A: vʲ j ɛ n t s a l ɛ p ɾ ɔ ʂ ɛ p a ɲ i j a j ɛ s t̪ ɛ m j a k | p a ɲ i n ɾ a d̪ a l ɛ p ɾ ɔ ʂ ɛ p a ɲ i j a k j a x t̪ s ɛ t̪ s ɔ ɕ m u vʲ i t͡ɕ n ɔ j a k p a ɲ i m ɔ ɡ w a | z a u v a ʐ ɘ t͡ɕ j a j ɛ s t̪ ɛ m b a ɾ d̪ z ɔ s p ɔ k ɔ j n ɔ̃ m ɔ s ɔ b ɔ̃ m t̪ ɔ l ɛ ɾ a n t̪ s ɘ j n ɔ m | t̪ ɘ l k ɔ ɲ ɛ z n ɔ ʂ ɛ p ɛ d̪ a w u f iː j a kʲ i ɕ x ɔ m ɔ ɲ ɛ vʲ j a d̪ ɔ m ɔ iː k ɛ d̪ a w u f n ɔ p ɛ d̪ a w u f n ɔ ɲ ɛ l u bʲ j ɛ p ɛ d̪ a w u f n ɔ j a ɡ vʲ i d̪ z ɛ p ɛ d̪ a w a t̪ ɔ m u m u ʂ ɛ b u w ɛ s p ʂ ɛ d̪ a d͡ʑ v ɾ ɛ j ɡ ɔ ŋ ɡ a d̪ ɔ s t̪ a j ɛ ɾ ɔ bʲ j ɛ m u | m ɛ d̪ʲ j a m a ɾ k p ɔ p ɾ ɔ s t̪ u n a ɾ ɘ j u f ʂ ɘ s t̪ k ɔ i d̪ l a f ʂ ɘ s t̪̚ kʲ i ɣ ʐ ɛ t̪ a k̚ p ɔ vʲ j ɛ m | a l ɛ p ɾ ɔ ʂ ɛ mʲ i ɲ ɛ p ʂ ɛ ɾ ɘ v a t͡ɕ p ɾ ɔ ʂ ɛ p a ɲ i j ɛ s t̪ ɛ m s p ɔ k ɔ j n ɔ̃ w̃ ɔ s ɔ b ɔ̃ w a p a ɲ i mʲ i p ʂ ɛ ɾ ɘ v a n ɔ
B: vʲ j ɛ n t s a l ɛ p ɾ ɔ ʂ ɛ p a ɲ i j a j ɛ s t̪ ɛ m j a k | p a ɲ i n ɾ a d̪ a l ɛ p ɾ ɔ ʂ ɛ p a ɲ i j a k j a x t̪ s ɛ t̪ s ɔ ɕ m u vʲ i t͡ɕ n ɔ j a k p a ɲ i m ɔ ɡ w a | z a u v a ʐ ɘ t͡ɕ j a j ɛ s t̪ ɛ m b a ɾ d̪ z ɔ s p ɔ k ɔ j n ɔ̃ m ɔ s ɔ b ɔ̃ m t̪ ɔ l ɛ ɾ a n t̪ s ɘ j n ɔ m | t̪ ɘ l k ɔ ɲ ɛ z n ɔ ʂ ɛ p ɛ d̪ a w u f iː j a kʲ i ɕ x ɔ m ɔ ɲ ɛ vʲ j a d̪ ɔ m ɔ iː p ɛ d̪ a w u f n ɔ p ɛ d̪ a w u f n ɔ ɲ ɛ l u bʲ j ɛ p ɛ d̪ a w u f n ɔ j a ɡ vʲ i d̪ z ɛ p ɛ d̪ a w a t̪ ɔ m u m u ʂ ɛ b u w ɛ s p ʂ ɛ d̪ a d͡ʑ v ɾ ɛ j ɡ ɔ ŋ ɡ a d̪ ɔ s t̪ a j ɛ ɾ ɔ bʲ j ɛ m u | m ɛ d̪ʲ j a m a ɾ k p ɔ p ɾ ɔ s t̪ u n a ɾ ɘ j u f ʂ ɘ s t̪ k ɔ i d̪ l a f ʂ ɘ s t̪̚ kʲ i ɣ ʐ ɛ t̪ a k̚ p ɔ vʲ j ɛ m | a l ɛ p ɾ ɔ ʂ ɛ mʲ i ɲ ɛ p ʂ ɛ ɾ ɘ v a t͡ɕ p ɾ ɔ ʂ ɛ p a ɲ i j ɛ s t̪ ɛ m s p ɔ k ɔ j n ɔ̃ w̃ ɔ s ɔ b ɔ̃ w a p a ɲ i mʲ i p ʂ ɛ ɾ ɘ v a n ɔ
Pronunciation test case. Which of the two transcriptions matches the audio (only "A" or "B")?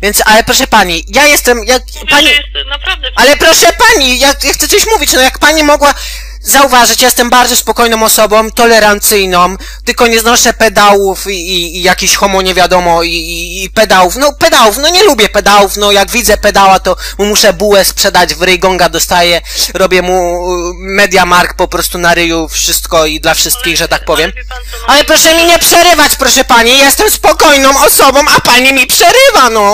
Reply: B